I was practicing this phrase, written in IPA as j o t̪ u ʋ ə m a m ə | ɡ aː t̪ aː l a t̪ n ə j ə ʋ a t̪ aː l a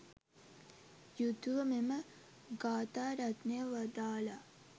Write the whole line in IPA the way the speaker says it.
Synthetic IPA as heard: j u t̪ u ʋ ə m e m ə | ɡ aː t̪ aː ɾ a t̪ n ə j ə ʋ a d̪ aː l a